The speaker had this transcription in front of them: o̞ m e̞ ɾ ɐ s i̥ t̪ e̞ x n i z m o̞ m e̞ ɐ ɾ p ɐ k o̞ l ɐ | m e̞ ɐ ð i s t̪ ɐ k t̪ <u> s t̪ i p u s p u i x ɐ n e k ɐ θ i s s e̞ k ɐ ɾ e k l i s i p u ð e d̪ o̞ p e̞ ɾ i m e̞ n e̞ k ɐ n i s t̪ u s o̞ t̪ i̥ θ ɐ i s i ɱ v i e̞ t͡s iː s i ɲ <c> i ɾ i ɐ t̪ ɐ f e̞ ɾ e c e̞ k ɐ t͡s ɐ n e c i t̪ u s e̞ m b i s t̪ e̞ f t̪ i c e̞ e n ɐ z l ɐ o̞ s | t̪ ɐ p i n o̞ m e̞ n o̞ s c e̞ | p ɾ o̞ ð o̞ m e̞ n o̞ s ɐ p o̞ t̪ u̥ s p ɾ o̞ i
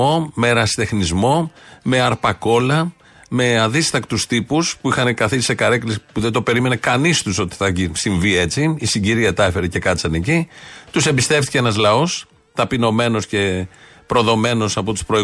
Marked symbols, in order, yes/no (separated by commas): yes, no